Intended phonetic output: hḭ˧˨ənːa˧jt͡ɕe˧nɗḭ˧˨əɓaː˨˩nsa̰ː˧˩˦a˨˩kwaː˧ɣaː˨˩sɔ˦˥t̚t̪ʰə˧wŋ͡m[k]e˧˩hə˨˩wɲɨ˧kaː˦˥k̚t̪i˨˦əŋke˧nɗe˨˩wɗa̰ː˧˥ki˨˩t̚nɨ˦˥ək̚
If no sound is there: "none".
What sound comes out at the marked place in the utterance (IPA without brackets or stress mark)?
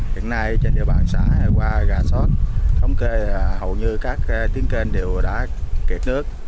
k